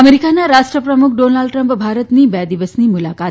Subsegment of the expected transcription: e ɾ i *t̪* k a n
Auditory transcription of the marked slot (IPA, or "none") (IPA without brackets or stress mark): none